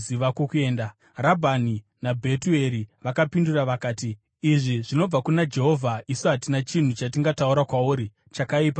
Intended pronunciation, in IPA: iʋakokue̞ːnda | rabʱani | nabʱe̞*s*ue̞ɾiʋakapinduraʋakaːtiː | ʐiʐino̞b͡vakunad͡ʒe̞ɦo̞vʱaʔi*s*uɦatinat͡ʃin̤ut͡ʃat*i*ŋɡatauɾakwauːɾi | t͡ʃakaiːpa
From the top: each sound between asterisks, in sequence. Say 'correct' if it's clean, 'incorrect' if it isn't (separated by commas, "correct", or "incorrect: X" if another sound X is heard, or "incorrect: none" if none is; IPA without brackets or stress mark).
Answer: incorrect: t, correct, correct